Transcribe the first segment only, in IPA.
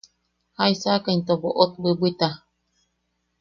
h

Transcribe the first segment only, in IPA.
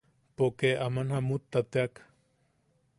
p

